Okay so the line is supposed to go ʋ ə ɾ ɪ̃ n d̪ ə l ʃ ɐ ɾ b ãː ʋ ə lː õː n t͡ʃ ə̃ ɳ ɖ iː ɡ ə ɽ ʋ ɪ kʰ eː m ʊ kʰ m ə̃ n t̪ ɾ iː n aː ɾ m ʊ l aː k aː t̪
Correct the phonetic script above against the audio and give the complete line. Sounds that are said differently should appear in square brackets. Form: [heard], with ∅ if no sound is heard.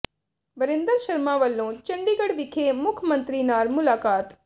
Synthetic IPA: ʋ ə ɾ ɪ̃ n d̪ ə [ɾ] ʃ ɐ ɾ [m] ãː ʋ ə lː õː [∅] t͡ʃ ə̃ ɳ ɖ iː ɡ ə ɽ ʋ ɪ kʰ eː m ʊ kʰ m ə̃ n t̪ ɾ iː n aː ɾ m ʊ l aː k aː t̪